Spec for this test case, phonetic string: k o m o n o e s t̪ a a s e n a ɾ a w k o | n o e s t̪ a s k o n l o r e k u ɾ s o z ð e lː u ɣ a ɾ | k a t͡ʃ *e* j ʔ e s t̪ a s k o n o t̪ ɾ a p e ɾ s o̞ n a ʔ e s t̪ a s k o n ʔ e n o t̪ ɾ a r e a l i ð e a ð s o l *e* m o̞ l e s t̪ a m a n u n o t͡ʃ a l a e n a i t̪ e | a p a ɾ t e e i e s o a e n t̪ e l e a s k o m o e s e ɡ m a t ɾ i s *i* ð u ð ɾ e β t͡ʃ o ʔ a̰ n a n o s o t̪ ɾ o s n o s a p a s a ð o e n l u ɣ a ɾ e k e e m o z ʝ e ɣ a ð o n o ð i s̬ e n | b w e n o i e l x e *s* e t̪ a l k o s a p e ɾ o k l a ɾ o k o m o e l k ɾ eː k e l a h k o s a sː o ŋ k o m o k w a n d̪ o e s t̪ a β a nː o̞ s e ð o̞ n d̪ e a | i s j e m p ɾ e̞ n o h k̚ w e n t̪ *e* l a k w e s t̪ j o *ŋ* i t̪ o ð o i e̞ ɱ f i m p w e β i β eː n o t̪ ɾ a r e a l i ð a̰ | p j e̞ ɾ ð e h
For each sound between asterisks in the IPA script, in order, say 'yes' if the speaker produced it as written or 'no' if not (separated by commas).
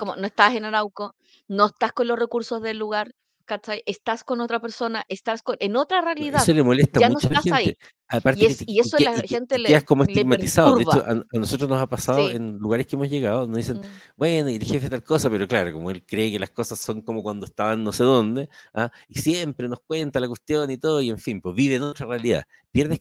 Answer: no, yes, no, no, no, no